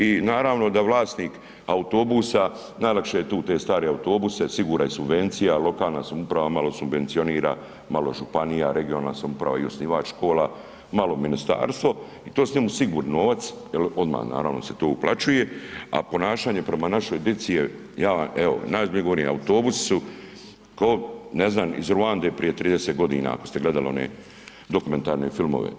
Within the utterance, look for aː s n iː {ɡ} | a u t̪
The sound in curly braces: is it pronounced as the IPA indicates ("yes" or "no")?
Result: no